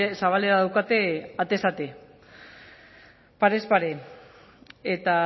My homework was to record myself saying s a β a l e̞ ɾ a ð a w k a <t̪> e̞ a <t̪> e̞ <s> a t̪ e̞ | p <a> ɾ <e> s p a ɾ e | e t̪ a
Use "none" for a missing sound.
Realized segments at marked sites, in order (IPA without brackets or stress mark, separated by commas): t̪, t̪, s, a, e